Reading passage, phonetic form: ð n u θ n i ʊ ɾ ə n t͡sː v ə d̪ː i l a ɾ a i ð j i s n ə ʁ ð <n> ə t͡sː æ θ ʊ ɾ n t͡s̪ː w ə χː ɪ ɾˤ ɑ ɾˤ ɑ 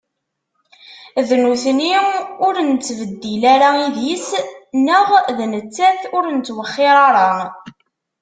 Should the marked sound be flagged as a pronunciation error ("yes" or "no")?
no